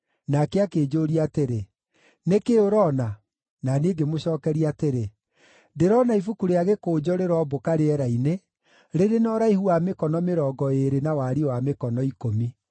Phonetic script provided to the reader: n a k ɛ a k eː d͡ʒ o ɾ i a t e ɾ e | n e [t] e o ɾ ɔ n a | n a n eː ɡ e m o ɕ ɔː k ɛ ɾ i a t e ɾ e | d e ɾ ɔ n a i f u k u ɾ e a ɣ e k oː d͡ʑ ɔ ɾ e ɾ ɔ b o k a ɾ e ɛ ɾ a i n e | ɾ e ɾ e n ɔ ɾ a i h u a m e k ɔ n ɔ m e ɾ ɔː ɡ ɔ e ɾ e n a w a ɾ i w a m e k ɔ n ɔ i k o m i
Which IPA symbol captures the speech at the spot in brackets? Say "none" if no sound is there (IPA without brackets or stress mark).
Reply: k